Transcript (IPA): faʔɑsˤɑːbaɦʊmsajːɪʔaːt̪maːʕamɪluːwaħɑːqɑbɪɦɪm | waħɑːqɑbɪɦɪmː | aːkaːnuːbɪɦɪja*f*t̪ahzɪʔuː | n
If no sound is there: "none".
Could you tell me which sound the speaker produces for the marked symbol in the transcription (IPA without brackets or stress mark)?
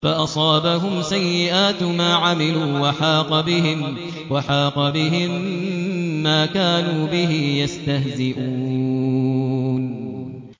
s